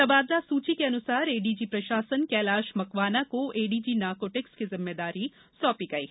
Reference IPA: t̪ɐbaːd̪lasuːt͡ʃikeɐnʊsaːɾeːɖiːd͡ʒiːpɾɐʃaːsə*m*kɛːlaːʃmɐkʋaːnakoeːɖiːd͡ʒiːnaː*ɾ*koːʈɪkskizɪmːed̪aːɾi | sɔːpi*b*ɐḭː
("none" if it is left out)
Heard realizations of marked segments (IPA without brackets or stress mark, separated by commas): n, ɾ, ɡ